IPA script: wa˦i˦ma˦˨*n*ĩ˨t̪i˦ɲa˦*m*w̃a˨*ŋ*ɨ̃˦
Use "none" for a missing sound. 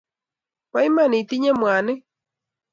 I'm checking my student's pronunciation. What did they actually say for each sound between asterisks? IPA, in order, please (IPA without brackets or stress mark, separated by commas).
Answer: n, m, n